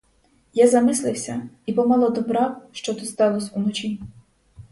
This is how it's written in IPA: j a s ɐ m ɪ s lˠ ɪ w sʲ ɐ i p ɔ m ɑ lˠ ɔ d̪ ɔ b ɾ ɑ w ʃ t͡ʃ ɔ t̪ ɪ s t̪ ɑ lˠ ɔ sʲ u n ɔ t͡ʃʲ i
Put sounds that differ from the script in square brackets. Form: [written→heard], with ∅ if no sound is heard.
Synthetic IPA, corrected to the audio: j a [s→z] ɐ m ɪ s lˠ ɪ w sʲ ɐ i p ɔ m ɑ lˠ ɔ d̪ ɔ b ɾ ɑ w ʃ t͡ʃ ɔ t̪ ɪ s t̪ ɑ lˠ ɔ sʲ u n ɔ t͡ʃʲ i